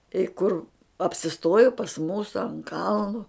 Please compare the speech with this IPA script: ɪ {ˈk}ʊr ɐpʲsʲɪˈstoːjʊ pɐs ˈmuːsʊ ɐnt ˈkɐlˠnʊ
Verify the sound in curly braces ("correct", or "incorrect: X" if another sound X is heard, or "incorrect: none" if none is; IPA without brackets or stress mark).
correct